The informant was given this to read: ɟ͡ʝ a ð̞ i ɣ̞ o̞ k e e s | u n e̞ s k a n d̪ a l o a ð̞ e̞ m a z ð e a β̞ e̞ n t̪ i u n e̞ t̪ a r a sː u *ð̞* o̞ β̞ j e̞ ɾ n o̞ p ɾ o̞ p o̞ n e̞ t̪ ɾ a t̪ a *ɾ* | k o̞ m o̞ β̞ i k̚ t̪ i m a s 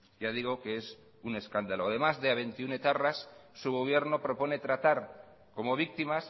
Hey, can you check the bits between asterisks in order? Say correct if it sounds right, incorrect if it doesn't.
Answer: incorrect: ɣ̞, correct

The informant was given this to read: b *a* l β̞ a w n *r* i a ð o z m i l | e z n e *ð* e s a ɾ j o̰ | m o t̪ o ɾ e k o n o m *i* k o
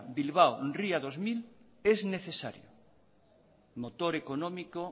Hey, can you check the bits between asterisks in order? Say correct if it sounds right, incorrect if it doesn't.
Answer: incorrect: i, correct, incorrect: θ, correct

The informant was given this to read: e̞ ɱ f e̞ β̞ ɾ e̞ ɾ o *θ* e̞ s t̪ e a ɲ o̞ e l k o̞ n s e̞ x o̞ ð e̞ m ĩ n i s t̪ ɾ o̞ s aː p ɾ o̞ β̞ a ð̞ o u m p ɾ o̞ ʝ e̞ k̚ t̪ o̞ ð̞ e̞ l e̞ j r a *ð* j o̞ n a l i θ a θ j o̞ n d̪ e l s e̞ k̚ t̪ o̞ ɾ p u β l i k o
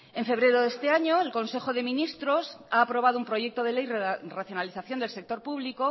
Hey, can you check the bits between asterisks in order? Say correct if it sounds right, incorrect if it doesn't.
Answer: incorrect: ð, incorrect: θ

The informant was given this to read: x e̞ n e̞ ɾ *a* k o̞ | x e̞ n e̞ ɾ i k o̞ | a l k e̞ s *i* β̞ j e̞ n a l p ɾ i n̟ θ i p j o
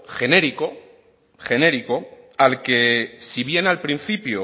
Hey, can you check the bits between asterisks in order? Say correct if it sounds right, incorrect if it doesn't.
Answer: incorrect: i, correct

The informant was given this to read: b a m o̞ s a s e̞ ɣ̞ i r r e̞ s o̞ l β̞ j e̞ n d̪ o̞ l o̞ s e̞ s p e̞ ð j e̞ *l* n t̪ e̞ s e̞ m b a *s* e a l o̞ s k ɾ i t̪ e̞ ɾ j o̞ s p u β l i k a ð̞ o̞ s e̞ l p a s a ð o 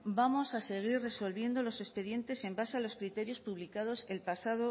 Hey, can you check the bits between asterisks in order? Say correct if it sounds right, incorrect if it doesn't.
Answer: incorrect: none, correct

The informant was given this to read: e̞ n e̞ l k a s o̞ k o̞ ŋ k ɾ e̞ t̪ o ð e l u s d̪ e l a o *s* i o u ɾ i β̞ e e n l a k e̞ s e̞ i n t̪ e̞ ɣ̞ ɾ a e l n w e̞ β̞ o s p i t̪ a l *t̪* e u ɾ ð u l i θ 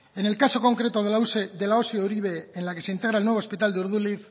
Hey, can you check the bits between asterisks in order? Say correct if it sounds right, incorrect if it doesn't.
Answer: correct, incorrect: d̪

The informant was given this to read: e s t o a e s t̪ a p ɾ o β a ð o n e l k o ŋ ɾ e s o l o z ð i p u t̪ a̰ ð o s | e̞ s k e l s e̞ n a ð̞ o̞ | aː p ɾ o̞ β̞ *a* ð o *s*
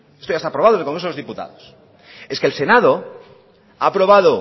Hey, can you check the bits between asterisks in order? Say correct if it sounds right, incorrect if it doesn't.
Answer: correct, incorrect: none

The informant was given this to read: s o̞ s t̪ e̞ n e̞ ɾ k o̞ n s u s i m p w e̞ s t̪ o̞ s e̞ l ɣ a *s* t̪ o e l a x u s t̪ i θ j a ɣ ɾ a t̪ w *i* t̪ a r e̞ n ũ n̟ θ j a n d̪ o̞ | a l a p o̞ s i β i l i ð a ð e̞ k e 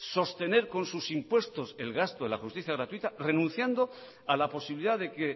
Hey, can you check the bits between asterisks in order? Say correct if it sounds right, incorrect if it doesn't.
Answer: correct, correct

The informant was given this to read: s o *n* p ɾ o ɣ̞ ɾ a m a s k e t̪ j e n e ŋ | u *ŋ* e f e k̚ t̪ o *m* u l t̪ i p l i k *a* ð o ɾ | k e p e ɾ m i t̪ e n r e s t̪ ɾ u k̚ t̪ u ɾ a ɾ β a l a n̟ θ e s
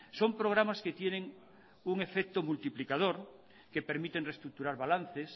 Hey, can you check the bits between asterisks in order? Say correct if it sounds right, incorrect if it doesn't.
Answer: incorrect: m, correct, correct, correct

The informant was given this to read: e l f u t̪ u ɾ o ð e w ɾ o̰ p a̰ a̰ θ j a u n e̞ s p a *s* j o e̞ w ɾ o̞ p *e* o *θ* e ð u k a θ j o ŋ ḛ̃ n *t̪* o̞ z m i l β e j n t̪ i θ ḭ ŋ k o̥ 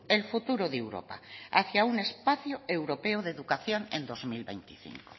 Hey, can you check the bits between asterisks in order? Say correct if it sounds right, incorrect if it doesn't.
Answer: incorrect: θ, correct, incorrect: ð, incorrect: d̪

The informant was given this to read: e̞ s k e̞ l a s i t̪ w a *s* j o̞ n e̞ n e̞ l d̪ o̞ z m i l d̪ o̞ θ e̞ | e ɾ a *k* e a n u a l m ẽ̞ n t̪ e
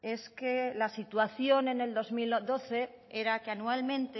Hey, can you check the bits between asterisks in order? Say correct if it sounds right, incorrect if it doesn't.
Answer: incorrect: θ, correct

